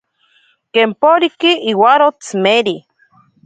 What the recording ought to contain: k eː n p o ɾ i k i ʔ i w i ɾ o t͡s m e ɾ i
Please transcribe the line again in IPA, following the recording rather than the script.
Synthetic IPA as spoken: k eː m p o ɾ i k i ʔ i w a ɾ o t͡s m e ɾ i

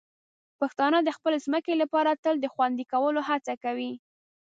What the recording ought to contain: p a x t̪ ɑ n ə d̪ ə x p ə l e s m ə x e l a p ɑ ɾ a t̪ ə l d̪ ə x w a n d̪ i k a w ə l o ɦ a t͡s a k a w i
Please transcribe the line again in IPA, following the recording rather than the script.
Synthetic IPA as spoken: p a x t̪ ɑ n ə d̪ ə x p ə l e z m ə k e l a p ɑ ɾ a t̪ ə l d̪ ə x w a n d̪ i k a w ə l o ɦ a t͡s a k a w i

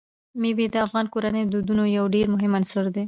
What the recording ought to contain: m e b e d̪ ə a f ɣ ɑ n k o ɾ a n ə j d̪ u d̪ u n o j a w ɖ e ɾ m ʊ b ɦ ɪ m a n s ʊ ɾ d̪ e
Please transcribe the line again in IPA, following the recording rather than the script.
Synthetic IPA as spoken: m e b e d̪ ə a f ɣ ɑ n k o ɾ a n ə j d̪ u d̪ u n o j a w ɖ e ɾ m ʊ ɦ ɪ m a n s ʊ ɾ d̪ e

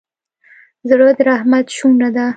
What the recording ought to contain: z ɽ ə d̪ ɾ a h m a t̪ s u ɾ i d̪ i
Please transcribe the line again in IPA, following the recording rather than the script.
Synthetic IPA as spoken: z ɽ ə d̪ ɾ a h m a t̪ ʃ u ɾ a d̪ a

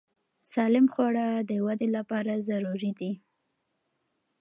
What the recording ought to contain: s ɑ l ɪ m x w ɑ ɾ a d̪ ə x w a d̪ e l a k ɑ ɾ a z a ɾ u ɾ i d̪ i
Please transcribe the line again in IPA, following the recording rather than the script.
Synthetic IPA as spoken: s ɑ l ɪ m x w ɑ ɽ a d̪ ə w a d̪ e l a p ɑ ɾ a z a ɾ u ɾ i d̪ i

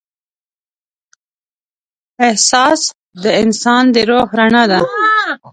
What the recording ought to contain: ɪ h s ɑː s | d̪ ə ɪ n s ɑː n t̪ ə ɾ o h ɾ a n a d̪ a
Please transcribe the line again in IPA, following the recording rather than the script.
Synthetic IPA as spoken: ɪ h s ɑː s | d̪ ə ɪ n s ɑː n d̪ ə ɾ o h ɾ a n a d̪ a

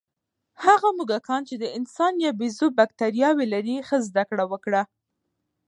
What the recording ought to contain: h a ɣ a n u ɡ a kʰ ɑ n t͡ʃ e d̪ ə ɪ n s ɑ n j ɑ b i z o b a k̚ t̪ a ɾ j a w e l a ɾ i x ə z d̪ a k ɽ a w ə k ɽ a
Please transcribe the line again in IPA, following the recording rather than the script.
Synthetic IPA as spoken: h a ɣ a m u ɡ a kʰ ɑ n t͡ʃ e d̪ ə ɪ n s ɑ n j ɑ b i z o b a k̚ t̪ a ɾ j ɑ w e l a ɾ i x ə z d̪ a k ɽ a w ə k ɽ a

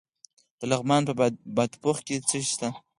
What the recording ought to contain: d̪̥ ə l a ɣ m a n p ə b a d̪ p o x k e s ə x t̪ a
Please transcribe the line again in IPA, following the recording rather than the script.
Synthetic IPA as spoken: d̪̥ ə l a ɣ m ɑ n p ə b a d̪ p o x k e t͡s ə ʃ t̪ a

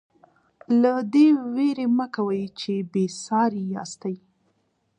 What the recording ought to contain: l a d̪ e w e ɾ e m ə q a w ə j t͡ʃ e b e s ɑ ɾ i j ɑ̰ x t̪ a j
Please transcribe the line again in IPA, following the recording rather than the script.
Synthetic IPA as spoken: l a d̪ e w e ɾ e m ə k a w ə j t͡ʃ e b e s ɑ ɾ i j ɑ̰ s t̪ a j

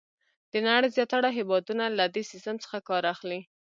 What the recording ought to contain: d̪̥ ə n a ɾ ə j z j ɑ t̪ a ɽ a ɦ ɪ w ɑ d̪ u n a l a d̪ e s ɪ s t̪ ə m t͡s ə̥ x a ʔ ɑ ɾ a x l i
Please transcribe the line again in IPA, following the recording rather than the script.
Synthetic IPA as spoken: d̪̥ ə n a ɽ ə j z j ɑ t̪ a ɽ a ɦ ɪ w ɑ d̪ u n a l a d̪ e s ɪ s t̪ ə m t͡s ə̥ x a k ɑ ɾ a x l i

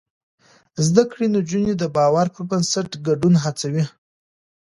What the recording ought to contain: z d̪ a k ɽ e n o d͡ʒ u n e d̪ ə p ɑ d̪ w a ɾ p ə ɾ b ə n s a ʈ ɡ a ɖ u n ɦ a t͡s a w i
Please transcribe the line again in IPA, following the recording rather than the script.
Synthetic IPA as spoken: z d̪ a k ɽ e n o d͡ʒ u n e d̪ ə b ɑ w a ɾ p ə ɾ b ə n s a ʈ ɡ a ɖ u n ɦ a t͡s a w i

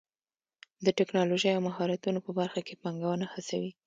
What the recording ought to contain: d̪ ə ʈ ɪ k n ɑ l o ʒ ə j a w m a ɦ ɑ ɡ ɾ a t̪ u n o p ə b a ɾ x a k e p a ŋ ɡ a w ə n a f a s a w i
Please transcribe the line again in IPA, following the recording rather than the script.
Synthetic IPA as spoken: d̪ ə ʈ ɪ k n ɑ l o ʒ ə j a w m a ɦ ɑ ɾ a t̪ u n o p ə b a ɾ x a k e p a ŋ ɡ a w ə n a h a s a w i

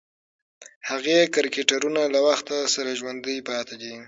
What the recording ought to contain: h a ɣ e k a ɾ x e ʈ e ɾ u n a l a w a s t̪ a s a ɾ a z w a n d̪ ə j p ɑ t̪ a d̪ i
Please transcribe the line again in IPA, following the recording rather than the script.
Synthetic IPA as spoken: h a ɣ e k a ɾ k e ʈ a ɾ u n a l a w a x t̪ a s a ɾ a ʒ w a n d̪ ə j p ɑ t̪ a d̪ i

